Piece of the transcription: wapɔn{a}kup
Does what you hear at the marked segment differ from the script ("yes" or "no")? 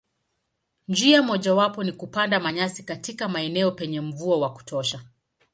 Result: yes